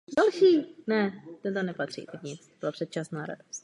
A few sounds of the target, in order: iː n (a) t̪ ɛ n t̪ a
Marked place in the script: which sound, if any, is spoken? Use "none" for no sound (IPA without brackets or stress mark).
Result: ɛ